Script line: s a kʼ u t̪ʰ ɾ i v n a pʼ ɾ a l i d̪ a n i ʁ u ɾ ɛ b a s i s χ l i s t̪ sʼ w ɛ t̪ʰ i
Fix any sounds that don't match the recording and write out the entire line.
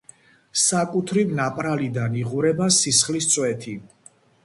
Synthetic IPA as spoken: s a kʼ u t̪ʰ ɾ i v n a pʼ ɾ a l i d̪ a n i ʁ u ɾ ɛ b a s i s χ l i s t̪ sʼ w ɛ t̪ʰ i